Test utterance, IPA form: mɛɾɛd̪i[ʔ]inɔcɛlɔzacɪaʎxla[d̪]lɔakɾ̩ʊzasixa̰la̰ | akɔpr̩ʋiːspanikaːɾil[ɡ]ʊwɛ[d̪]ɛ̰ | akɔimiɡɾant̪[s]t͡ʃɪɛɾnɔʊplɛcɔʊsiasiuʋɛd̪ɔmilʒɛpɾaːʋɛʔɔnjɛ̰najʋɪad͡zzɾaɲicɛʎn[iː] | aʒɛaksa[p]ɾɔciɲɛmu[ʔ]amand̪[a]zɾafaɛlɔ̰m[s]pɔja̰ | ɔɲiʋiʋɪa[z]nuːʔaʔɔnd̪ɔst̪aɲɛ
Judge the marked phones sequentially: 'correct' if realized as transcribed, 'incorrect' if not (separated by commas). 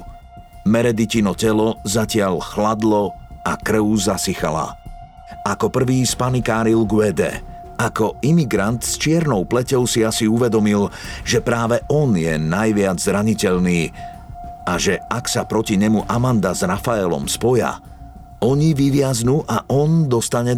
incorrect, correct, correct, correct, correct, correct, correct, correct, correct, correct, correct